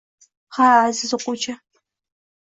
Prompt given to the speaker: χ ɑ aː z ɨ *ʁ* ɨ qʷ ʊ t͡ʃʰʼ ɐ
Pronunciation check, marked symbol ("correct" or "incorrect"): incorrect